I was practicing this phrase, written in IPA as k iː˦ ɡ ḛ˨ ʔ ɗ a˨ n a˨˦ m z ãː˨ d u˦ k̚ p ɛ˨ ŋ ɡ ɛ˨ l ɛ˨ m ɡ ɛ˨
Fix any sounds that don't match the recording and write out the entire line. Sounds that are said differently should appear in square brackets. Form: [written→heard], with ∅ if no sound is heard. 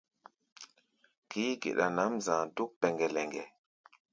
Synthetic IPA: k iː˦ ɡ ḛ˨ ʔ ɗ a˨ n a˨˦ m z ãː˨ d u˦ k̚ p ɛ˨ ŋ ɡ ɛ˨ l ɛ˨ [m→ŋ] ɡ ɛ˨